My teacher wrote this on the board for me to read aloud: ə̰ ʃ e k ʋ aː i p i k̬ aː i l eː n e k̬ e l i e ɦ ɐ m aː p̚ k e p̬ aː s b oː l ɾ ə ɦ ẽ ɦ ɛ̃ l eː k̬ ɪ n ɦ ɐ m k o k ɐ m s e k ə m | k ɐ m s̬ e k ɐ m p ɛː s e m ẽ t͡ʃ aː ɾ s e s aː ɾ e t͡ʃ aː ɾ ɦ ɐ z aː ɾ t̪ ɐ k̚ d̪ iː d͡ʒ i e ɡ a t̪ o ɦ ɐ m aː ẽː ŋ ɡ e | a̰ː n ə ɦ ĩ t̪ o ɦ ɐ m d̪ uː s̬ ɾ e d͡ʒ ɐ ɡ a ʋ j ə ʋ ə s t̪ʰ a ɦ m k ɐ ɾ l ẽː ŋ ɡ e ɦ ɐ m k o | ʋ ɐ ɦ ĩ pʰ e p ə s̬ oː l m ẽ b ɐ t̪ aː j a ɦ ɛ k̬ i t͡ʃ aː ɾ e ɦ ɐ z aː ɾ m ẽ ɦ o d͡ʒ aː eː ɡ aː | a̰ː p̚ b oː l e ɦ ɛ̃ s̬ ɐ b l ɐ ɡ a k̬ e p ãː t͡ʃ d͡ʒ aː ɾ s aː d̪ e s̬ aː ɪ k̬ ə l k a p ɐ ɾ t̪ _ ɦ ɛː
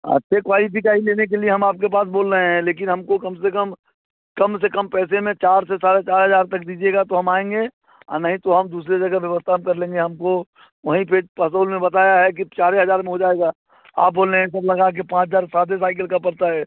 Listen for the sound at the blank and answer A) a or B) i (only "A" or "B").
A